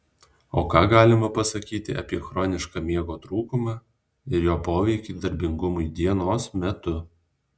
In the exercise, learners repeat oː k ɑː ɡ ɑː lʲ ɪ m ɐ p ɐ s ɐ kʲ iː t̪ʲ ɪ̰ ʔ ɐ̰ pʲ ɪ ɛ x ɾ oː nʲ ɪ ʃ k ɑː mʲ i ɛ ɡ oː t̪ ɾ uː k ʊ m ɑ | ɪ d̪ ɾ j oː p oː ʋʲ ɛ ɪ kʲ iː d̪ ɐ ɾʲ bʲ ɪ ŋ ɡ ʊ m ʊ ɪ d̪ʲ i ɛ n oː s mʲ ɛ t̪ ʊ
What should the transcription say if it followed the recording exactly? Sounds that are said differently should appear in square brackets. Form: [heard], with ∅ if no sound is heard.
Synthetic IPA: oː k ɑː ɡ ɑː lʲ ɪ m ɐ p ɐ s ɐ kʲ iː t̪ʲ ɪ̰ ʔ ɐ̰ pʲ [i] ɛ x ɾ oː nʲ ɪ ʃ k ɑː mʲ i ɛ ɡ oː t̪ ɾ uː k ʊ m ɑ | ɪ [∅] ɾ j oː p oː ʋʲ ɛ ɪ kʲ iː d̪ ɐ ɾʲ bʲ ɪ ŋ ɡ ʊ m ʊ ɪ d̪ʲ i ɛ n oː s mʲ ɛ t̪ ʊ